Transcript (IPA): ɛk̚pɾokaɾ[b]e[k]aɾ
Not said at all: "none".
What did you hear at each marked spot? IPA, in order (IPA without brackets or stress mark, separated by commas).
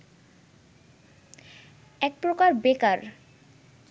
b, k